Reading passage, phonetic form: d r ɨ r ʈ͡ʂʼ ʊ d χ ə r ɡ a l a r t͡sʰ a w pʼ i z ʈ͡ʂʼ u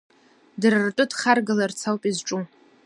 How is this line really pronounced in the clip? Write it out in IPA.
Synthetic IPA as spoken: d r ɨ r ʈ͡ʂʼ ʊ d χ a r ɡ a l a r t͡sʰ a w pʼ i z ʈ͡ʂʼ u